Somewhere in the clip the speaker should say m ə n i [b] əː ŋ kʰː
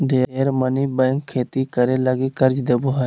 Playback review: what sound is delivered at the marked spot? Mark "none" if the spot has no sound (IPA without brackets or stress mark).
b